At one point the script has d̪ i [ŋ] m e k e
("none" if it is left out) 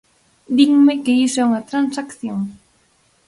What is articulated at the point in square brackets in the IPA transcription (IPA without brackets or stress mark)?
ŋ